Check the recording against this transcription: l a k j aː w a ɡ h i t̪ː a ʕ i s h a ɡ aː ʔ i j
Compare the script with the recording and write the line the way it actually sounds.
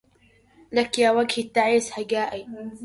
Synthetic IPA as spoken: l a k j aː w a ɡ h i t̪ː a ʕ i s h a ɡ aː ʔ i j